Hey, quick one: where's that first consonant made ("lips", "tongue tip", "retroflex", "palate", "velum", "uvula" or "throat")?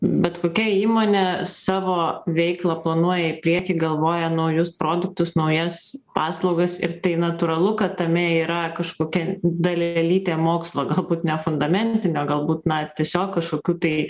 lips